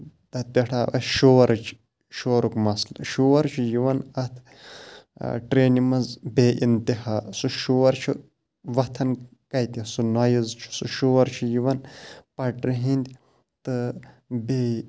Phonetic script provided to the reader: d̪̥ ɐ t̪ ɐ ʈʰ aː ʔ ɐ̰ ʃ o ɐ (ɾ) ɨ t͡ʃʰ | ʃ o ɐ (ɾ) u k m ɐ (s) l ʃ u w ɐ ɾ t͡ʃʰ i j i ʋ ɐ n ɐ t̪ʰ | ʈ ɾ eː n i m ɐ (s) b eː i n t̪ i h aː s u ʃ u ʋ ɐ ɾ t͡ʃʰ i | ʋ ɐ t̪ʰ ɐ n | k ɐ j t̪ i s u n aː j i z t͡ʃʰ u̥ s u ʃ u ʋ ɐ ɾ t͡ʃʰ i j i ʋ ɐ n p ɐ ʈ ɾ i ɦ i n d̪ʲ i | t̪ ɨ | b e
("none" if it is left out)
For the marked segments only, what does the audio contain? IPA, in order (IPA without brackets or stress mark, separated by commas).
ɾ, ɾ, s, z